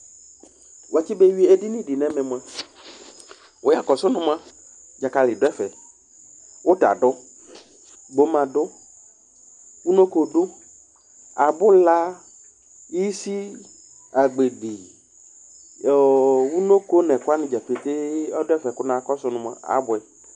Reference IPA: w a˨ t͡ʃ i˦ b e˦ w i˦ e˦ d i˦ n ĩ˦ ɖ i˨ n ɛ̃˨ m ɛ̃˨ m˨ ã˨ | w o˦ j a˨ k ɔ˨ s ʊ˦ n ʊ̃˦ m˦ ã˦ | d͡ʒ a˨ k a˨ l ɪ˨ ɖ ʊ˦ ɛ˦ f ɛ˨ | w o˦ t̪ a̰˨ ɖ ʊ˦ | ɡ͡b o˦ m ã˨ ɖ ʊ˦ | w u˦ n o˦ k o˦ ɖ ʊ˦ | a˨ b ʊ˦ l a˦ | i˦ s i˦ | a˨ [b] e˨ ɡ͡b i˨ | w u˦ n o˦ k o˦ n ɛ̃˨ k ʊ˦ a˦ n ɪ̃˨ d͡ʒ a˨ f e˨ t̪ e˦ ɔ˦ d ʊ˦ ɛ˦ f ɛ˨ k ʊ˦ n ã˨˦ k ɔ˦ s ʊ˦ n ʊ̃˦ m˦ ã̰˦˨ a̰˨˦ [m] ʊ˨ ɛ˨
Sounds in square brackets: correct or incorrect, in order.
incorrect: ɡ͡b, incorrect: b

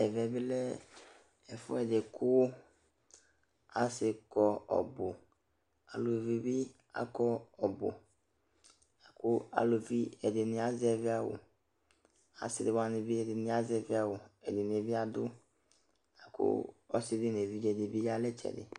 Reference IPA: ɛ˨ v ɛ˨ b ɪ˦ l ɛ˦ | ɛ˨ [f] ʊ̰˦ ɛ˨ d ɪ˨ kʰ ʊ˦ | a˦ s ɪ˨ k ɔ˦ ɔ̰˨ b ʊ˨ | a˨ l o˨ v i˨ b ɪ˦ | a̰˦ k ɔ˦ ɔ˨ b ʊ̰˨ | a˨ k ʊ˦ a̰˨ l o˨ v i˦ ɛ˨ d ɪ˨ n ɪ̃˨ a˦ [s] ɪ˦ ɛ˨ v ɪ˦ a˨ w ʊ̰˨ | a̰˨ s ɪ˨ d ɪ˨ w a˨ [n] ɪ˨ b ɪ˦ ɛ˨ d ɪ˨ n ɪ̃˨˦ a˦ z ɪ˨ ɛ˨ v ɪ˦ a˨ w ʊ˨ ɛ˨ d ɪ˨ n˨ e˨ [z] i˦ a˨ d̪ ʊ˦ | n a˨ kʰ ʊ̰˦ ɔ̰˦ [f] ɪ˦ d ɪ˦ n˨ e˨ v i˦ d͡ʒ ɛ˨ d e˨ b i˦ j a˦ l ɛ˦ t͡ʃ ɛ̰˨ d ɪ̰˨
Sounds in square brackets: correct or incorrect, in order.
correct, incorrect: z, correct, incorrect: v, incorrect: s

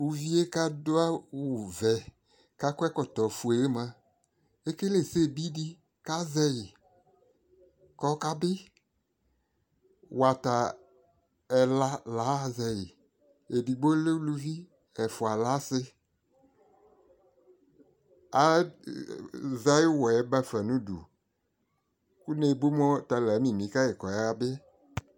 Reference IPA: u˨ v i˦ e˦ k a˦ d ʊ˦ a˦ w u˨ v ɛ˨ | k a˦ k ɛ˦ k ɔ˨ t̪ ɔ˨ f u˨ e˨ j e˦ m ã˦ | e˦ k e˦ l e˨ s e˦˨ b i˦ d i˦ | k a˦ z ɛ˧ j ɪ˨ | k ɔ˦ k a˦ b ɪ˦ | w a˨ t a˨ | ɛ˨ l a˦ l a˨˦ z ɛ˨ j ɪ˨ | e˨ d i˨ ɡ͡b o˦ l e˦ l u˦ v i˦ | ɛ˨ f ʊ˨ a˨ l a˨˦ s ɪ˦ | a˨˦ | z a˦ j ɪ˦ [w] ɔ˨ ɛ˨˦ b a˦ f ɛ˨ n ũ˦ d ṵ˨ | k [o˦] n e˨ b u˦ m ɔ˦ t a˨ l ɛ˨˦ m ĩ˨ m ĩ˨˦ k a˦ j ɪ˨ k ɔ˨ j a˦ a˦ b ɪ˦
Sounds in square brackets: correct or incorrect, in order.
correct, incorrect: u˦

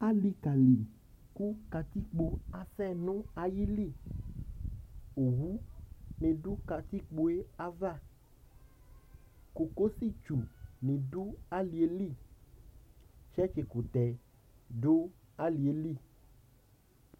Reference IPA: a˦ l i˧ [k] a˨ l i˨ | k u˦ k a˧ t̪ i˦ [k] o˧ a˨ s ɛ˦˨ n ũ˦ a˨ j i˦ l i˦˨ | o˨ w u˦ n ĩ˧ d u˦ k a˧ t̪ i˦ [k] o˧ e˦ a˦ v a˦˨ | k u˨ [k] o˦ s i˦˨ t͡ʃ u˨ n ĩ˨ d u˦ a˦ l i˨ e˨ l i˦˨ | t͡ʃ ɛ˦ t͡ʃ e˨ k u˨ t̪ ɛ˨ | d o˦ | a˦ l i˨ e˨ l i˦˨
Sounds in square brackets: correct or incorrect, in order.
correct, incorrect: k͡p, incorrect: k͡p, correct

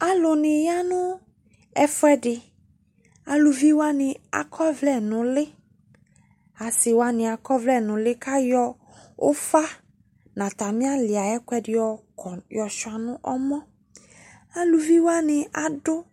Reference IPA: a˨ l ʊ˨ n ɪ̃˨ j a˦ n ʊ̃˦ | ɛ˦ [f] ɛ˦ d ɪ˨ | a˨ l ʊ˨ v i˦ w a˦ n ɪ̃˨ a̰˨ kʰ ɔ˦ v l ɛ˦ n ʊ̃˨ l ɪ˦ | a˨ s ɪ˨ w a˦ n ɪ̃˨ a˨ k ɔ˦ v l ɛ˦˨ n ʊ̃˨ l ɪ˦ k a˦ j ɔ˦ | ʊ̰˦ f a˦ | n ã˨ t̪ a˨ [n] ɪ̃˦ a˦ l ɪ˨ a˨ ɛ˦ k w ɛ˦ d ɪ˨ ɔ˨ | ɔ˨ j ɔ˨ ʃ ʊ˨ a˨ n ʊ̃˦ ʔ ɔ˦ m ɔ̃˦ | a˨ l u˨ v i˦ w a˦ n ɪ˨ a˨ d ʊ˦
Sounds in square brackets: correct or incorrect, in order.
correct, incorrect: m

